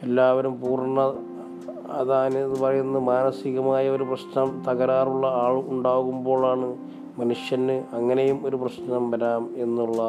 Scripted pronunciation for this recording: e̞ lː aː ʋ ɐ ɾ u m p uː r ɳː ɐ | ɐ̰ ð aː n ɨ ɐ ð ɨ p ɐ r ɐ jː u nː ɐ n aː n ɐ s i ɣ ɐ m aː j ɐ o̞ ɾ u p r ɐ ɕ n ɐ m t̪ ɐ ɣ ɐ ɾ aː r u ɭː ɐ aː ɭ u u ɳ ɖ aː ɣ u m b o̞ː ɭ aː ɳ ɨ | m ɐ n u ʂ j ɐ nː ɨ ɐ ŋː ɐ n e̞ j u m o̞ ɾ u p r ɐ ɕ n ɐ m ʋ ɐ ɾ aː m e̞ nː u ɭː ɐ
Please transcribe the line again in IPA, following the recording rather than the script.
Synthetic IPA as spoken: e̞ lː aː ʋ ɐ ɾ u m p uː r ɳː ɐ | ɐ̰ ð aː n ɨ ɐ ð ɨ p ɐ r ɐ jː u nː ɐ m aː n ɐ s i ɣ ɐ m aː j ɐ o̞ ɾ u p r ɐ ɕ n ɐ m t̪ ɐ ɣ ɐ ɾ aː r u ɭː ɐ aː ɭ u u ɳ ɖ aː ɣ u m b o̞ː ɭ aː ɳ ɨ | m ɐ n u ʂ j ɐ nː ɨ ɐ ŋː ɐ n e̞ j u m o̞ ɾ u p r ɐ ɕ n ɐ m ʋ ɐ ɾ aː m e̞ nː u ɭː ɐ